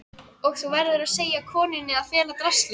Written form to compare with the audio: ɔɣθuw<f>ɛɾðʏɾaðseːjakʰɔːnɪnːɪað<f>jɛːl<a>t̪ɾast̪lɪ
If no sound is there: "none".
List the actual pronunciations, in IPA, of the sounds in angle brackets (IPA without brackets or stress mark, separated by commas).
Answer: v, f, a